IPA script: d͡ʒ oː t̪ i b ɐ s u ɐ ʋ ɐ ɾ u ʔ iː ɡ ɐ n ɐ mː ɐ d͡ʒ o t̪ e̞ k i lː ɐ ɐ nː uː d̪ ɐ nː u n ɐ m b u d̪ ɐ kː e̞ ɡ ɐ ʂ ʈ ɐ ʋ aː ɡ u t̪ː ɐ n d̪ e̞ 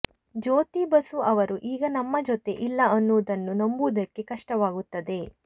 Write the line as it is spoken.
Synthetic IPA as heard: d͡ʒ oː t̪ i b ɐ s u ɐ ʋ ɐ ɾ u ʔ iː ɡ ɐ n ɐ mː ɐ d͡ʒ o t̪ e̞ ʔ i lː ɐ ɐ nː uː d̪ ɐ nː u n ɐ m b u d̪ ɐ kː e̞ k ɐ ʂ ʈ ɐ ʋ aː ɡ u t̪ː ɐ d̪ e̞

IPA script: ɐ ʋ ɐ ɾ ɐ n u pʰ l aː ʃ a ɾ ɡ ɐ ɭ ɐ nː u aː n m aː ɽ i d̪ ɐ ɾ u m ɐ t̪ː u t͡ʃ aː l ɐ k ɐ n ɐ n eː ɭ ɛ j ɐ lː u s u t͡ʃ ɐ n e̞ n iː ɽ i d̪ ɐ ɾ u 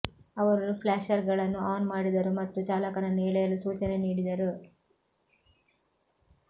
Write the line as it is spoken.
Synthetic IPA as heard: ɐ ʋ ɐ ɾ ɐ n u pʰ l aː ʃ ɐ ɾ ɡ ɐ ɭ ɐ nː u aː n m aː ɽ i d̪ ɐ ɾ u m ɐ t̪ː u t͡ʃ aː l ɐ k ɐ n ɐ n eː ɭ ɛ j ɐ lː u s uː t͡ʃ ɐ n e̞ n iː ɽ i d̪ ɐ ɾ u

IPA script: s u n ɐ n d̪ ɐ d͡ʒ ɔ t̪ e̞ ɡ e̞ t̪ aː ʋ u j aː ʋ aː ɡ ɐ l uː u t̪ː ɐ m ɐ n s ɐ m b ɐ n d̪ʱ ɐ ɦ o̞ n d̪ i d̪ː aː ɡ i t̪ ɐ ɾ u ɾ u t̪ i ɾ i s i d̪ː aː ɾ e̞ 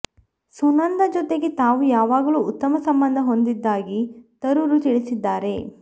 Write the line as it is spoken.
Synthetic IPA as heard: s u n ɐ n d̪ ɐ d͡ʒ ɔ t̪ e̞ ɡ e̞ t̪ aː ʋ u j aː ʋ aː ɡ ɐ l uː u t̪ː ɐ m ɐ s ɐ m b ɐ n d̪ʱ ɐ ɦ o̞ n d̪ i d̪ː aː ɡ i t̪ ɐ ɾ u ɾ u t̪ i ɭ i s i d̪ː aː ɾ e̞

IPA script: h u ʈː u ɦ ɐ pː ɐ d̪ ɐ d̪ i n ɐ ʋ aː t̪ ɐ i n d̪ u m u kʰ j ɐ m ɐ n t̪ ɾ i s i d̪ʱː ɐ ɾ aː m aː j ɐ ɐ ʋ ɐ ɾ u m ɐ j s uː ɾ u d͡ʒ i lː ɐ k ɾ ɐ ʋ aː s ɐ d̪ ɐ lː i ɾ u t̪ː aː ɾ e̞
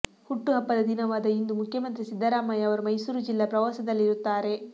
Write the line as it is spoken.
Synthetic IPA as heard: h u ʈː u ɦ ɐ pː ɐ d̪ ɐ d̪ i n ɐ ʋ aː d̪ ɐ i n d̪ u m u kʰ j ɐ m ɐ n t̪ ɾ i s i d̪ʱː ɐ ɾ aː m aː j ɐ ɐ ʋ ɐ ɾ u m ɐ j s uː ɾ u d͡ʒ i lː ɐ p ɾ ɐ ʋ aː s ɐ d̪ ɐ lː i ɾ u t̪ː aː ɾ e̞

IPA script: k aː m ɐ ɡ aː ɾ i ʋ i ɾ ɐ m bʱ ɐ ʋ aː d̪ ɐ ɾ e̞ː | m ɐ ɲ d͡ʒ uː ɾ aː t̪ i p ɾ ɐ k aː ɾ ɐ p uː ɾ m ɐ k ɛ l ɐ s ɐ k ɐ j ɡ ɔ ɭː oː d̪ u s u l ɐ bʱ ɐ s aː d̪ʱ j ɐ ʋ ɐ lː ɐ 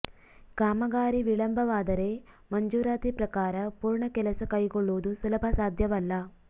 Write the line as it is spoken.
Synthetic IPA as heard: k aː m ɐ ɡ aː ɾ i ʋ i ɭ ɐ m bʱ ɐ ʋ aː d̪ ɐ ɾ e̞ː | m ɐ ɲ d͡ʒ uː ɾ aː t̪ i p ɾ ɐ k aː ɾ ɐ p uː ɾ ɳ ɐ k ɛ l ɐ s ɐ k ɐ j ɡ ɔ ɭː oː d̪ u s u l ɐ bʱ ɐ s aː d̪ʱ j ɐ ʋ ɐ lː ɐ

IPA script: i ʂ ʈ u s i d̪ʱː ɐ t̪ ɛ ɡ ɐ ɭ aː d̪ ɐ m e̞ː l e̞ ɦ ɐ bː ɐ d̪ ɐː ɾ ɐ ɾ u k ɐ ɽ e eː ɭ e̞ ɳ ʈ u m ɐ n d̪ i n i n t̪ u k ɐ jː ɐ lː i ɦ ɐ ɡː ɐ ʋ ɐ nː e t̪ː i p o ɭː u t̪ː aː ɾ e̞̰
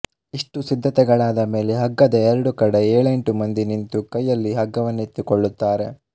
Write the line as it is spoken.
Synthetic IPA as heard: i ʂ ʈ u s i d̪ʱː ɐ t̪ ɛ ɡ ɐ ɭ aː d̪ ɐ m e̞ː l e̞ ɦ ɐ ɡː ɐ d̪ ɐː ɾ ɐ ɽ u k ɐ ɽ e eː ɭ e̞ ɳ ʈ u m ɐ n d̪ i n i n t̪ u k ɐ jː ɐ lː i ɦ ɐ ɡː ɐ ʋ ɐ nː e t̪ː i k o ɭː u t̪ː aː ɾ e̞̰

